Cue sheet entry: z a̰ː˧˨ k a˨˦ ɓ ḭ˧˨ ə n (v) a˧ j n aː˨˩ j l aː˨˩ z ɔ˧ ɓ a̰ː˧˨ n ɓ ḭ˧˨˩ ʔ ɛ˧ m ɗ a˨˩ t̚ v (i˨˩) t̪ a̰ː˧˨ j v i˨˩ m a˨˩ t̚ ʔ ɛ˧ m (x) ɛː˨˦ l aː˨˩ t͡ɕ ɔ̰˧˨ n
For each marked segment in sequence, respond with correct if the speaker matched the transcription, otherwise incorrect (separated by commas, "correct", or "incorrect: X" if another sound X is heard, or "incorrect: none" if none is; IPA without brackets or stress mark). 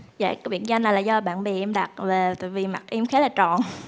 incorrect: z, incorrect: e˨˩, correct